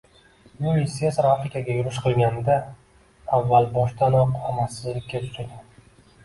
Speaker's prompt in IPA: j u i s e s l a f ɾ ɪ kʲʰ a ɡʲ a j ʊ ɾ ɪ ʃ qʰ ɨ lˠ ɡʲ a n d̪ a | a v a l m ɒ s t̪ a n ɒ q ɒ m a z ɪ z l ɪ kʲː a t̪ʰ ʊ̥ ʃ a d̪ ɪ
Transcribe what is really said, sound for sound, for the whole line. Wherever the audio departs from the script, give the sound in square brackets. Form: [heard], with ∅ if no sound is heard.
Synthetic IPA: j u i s e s [ɾ] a f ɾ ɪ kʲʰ a ɡʲ a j ʊ ɾ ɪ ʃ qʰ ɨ lˠ ɡʲ a n d̪ a | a [vː] a l [b] ɒ [ʃ] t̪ a n ɒ q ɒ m a [s] ɪ z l ɪ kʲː a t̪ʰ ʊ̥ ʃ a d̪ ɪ